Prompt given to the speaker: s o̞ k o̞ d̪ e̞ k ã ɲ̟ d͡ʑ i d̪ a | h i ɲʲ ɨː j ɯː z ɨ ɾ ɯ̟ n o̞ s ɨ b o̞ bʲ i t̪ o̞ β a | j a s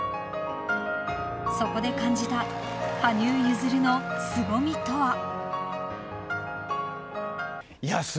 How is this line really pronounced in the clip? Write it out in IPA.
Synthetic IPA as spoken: s o̞ k o̞ d̪ e̞ k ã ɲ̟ d͡ʑ i t̪ a | h a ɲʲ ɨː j ɯ z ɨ ɾ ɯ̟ n o̞ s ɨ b o̞ mʲ i t̪ o̞ β a | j a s

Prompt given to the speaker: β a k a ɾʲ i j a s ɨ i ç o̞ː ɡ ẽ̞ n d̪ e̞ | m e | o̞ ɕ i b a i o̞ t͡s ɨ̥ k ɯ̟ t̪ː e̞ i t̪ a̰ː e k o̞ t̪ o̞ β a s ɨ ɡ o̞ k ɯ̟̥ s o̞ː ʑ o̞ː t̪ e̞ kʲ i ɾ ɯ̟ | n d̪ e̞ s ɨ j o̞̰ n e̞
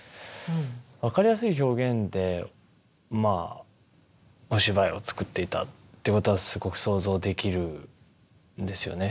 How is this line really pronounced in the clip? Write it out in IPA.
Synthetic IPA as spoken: β a k a ɾʲ i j a s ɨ i ç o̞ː ɡ ẽ̞ n d̪ e̞ | m a | o̞ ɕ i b a i o̞ t͡s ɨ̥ k ɯ̟ t̪ː e̞ i t̪ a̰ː e k o̞ t̪ o̞ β a s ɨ ɡ o̞ k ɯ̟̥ s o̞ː z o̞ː d̪ e̞ kʲ i ɾ ɯ̟ | n d̪ e̞ s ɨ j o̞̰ n e̞

